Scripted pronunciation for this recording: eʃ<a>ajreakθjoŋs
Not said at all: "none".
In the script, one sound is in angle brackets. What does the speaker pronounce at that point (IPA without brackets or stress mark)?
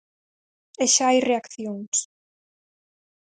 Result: a